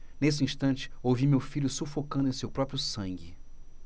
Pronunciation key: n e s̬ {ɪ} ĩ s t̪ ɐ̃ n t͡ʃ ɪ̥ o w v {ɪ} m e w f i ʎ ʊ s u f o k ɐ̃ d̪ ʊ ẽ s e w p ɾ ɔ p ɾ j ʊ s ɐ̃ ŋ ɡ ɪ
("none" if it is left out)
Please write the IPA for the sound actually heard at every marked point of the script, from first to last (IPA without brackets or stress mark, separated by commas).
ɪ, i